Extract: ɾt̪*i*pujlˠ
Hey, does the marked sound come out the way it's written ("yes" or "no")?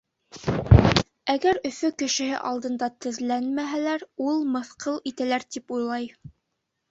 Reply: yes